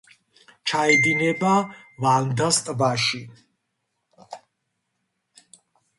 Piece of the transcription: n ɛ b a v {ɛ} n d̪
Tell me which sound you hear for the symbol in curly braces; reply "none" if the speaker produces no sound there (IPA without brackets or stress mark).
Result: a